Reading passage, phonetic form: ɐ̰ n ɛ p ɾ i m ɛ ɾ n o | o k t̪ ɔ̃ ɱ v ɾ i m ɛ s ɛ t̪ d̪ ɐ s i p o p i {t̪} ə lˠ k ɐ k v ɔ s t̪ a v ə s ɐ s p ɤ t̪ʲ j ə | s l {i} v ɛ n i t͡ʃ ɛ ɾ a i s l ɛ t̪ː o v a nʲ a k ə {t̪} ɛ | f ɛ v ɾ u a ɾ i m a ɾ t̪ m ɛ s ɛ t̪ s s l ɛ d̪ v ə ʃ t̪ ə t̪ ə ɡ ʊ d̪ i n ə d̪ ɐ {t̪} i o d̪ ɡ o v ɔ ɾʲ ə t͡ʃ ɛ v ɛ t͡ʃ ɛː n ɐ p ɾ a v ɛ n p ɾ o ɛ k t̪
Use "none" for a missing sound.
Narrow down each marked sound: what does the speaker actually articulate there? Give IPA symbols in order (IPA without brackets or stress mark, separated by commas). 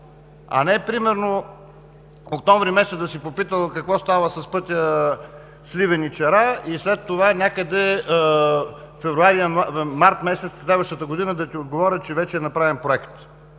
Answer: t̪, i, d̪, t̪